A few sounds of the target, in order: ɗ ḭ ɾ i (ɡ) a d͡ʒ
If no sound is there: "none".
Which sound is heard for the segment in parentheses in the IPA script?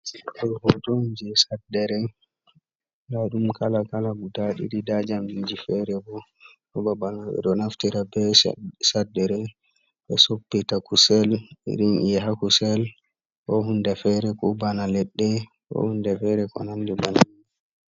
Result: d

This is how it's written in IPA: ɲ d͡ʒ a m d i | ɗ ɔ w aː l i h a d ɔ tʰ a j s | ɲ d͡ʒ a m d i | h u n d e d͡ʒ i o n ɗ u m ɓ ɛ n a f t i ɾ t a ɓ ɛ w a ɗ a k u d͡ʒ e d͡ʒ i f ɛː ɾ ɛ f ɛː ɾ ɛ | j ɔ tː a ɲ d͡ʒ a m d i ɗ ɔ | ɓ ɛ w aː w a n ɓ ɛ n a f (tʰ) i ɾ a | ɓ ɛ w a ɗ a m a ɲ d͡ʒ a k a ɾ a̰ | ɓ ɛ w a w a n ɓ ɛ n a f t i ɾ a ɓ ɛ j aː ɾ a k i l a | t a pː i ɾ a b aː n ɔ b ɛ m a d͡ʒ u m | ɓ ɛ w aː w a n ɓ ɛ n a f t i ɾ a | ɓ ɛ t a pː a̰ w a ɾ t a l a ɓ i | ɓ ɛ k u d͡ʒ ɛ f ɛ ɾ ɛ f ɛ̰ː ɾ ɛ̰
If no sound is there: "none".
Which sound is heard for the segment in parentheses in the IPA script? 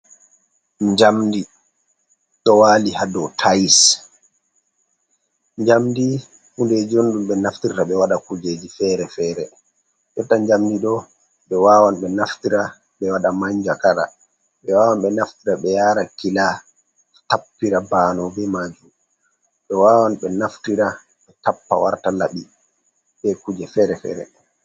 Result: t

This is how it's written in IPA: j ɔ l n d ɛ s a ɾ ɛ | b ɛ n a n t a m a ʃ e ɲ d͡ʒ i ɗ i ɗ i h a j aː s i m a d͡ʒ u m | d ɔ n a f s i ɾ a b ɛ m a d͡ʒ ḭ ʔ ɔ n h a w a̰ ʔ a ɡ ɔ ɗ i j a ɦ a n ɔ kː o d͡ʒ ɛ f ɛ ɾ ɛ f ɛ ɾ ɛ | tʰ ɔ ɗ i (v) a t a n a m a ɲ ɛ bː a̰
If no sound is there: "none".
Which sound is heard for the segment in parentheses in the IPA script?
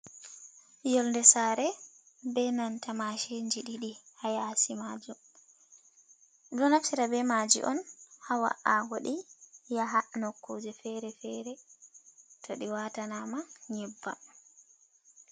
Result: w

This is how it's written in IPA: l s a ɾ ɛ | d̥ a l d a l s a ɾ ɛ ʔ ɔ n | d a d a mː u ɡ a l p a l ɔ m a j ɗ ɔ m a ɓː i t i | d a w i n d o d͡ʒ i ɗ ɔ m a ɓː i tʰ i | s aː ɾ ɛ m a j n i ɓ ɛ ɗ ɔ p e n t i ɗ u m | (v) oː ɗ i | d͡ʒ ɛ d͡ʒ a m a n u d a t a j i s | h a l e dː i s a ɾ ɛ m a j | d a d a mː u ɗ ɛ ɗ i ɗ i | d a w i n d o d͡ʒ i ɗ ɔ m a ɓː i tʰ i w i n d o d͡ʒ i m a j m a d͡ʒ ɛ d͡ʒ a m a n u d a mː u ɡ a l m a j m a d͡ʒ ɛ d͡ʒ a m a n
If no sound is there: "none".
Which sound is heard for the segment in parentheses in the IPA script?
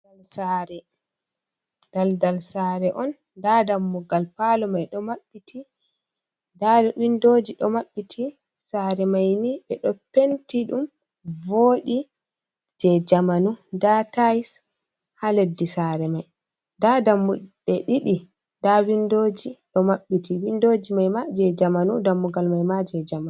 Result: v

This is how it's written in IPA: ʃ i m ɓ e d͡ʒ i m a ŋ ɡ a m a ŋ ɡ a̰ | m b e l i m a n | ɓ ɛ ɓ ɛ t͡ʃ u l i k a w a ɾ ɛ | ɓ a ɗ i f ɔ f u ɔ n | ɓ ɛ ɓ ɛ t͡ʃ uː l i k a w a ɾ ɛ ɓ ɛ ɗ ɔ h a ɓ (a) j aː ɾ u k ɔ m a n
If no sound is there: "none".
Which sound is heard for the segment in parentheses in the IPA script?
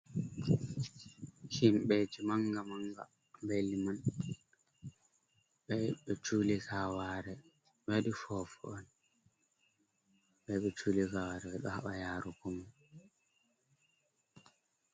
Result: a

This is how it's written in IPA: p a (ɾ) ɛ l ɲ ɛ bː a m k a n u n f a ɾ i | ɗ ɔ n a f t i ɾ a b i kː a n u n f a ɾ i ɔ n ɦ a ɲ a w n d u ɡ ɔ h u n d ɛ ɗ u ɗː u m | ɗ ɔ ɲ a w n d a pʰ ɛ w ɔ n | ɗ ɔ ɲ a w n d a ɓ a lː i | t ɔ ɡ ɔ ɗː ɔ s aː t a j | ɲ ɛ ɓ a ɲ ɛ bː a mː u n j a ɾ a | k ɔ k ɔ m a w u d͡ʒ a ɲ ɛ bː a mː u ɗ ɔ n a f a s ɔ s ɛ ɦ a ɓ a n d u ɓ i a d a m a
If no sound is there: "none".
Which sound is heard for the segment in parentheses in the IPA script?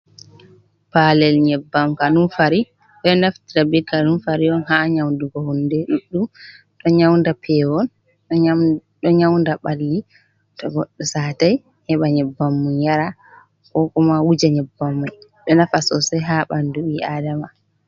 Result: l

